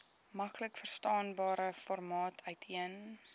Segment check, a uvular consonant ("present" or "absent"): absent